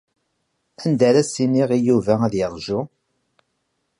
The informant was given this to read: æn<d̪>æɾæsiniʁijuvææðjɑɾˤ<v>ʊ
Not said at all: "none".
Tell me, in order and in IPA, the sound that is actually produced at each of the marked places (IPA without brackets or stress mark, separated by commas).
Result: d̪, ʒ